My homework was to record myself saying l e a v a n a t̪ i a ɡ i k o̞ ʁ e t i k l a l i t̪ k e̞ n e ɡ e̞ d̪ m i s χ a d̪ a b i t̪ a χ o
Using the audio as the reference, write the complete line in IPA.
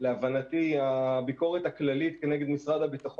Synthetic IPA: l e a v a n a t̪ i a b i k o̞ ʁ e t a k l a l i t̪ k e̞ n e ɡ e̞ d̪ m i s ʁ a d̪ a b i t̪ a χ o